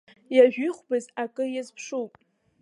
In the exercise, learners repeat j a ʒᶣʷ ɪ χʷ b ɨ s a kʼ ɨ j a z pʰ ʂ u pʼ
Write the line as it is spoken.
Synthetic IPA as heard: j a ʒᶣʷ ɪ χʷ b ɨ z a kʼ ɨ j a z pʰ ʂ u pʼ